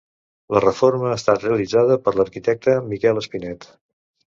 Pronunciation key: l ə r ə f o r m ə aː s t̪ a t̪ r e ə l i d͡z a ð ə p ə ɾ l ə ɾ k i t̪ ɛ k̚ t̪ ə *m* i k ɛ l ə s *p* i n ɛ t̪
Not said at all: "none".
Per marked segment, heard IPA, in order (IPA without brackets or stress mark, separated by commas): m, p